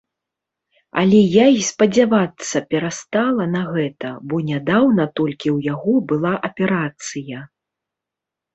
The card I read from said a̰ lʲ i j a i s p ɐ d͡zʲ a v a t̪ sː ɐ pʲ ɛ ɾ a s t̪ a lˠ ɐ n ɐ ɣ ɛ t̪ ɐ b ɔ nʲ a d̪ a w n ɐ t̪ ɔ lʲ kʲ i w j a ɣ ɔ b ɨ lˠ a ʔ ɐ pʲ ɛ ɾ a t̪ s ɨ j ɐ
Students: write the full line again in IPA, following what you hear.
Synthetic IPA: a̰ lʲ ɛ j a i s p ɐ d͡zʲ a v a t̪ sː ɐ pʲ ɛ ɾ a s t̪ a lˠ ɐ n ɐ ɣ ɛ t̪ ɐ b ɔ nʲ a d̪ a w n ɐ t̪ ɔ lʲ kʲ i w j a ɣ ɔ b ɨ lˠ a ʔ ɐ pʲ ɛ ɾ a t̪ s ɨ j ɐ